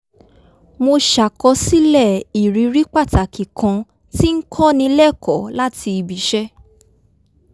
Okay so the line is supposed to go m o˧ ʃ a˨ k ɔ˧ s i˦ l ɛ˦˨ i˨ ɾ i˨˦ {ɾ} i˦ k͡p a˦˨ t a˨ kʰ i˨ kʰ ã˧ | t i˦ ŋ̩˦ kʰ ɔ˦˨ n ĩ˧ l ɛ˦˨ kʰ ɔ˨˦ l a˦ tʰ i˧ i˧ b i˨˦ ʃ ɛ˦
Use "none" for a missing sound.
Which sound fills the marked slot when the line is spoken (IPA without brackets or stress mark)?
ɾ